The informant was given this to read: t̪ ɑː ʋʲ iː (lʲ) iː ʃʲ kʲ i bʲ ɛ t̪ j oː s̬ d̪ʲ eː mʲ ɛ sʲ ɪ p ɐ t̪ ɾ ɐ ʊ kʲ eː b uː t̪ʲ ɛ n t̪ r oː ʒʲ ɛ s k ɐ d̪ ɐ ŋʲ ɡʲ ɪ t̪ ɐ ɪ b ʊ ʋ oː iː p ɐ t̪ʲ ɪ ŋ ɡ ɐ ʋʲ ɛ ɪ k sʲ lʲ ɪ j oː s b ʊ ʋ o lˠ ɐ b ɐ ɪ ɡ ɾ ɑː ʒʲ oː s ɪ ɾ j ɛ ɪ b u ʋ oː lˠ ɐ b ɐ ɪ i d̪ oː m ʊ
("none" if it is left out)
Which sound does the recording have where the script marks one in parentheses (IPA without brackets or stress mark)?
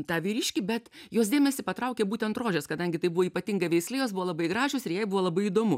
ɾʲ